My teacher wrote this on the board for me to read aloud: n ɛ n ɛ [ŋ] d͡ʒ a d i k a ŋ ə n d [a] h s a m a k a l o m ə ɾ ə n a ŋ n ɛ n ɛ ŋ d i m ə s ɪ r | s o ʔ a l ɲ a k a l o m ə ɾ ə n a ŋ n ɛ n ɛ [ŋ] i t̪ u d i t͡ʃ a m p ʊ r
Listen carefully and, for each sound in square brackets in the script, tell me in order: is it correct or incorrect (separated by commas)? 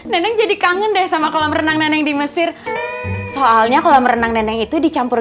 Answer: correct, incorrect, correct